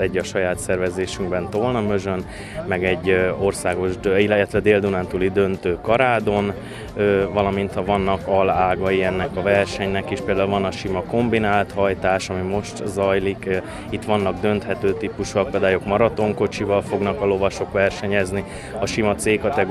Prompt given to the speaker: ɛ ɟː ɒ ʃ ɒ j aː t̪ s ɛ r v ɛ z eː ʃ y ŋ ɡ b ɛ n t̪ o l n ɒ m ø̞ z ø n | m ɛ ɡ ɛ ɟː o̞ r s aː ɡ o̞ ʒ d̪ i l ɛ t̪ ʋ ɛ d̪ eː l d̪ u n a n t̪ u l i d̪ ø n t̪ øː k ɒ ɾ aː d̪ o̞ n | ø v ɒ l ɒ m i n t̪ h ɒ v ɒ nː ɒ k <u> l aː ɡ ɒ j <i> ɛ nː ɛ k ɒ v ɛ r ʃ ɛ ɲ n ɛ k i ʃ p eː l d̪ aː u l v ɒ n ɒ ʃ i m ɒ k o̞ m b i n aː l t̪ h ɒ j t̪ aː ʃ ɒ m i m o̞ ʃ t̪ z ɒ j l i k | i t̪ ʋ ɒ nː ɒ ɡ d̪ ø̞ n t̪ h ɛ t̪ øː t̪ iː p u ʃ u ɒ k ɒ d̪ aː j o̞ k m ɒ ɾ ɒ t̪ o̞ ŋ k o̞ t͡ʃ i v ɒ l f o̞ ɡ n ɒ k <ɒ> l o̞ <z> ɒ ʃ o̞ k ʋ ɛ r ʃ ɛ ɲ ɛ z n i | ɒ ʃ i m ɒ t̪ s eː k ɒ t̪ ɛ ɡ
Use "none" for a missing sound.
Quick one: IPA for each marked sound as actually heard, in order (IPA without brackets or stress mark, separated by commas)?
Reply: ɒ, i, ɒ, v